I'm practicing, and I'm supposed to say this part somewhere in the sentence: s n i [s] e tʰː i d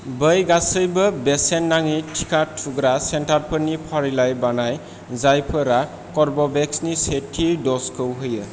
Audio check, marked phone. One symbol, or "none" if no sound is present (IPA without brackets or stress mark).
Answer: s